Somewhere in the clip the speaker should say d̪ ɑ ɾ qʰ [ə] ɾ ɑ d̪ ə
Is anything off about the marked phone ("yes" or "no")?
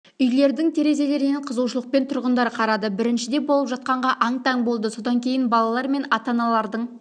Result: yes